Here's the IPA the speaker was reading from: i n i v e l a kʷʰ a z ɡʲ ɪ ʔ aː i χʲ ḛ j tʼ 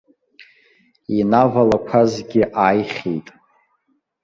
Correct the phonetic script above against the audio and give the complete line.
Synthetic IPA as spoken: i n a v a l a kʷʰ a z ɡʲ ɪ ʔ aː j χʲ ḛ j tʼ